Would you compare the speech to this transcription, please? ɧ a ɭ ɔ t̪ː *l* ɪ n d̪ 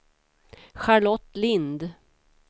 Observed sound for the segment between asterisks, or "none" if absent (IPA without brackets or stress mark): l